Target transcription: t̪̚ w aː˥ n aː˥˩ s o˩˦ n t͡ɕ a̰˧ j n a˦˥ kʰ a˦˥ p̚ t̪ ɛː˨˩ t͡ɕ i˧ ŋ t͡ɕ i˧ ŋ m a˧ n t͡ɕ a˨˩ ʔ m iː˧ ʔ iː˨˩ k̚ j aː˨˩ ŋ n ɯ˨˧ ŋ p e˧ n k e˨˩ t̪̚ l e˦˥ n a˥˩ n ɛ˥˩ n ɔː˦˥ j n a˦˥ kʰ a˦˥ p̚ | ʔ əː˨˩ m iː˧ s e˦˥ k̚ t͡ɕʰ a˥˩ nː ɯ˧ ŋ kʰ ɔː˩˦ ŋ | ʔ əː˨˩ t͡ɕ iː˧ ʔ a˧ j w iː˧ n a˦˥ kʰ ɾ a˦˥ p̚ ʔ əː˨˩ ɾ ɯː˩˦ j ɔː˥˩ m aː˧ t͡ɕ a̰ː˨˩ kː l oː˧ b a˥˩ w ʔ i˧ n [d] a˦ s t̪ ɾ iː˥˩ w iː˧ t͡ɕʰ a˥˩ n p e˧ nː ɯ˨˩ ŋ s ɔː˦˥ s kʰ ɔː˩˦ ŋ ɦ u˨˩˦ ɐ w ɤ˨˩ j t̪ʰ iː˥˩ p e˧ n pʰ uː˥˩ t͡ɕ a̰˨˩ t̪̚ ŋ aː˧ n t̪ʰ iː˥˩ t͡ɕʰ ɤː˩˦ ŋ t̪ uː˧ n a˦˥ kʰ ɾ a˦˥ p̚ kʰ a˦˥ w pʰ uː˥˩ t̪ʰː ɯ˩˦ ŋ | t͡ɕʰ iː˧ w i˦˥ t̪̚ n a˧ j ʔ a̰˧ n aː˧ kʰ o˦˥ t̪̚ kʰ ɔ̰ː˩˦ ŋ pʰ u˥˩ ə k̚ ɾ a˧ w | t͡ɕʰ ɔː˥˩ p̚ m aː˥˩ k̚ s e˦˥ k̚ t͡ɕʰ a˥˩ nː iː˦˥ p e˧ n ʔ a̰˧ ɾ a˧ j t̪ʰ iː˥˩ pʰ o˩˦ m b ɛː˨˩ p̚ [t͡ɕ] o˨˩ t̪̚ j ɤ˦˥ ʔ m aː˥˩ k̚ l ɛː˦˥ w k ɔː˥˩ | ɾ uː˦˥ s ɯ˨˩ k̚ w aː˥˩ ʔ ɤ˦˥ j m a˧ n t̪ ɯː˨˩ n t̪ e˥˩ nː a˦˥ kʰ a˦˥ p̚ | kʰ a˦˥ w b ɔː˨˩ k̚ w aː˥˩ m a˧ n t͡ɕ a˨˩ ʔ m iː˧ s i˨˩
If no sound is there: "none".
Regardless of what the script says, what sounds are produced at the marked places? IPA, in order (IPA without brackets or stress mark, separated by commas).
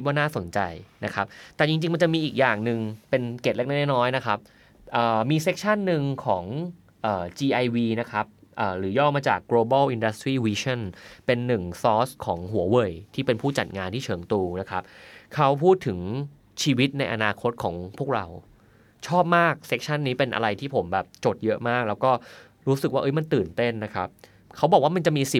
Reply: d, t͡ɕ